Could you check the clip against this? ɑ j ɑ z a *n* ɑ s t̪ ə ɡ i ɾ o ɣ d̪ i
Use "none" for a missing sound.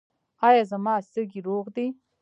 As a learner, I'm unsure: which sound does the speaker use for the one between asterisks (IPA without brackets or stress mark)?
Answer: m